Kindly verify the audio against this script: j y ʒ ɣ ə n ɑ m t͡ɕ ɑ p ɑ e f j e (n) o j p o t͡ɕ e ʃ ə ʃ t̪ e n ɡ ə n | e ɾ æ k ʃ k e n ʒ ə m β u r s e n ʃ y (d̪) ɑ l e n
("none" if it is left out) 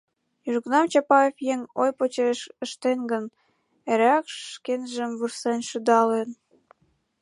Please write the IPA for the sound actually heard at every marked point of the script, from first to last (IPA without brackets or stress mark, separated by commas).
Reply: ŋ, d̪